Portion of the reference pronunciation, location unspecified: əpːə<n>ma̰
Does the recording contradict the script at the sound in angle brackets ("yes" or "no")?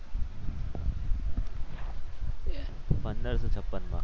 no